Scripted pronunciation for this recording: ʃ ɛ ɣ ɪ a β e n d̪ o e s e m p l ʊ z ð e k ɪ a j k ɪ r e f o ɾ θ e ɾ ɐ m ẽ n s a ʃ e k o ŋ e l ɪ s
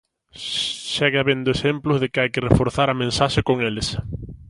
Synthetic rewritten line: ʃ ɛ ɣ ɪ a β e n d̪ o e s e m p l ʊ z ð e k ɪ a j k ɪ r e f o ɾ θ a ɾ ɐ m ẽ n s a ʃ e k o ŋ e l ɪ s

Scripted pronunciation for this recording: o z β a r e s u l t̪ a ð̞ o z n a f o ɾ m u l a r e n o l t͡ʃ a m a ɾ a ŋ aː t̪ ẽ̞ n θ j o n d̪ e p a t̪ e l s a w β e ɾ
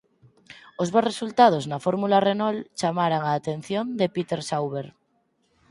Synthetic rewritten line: o z β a r e s u l t̪ a ð̞ o z n a f o ɾ m u l a r e n o l t͡ʃ a m a ɾ a ŋ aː t̪ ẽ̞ n θ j o n d̪ e p i t̪ e ɾ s a w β e ɾ

